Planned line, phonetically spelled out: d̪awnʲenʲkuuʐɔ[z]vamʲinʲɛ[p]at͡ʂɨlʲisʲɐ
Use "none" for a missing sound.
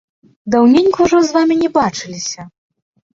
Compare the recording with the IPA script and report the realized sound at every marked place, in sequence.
z, b

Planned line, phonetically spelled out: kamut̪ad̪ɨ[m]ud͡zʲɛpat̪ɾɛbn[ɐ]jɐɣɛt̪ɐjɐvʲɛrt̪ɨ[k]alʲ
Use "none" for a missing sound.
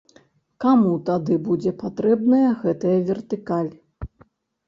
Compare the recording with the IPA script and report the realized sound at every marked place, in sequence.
b, ɐ, k

